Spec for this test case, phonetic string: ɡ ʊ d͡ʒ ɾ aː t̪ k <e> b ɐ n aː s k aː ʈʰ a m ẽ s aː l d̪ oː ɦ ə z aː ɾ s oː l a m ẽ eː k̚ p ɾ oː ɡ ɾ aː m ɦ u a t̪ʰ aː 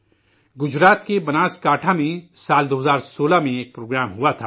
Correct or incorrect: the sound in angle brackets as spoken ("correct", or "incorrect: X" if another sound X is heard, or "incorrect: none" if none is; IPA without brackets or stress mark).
correct